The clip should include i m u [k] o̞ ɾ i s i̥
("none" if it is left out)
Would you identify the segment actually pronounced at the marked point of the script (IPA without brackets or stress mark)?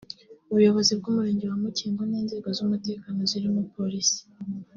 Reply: p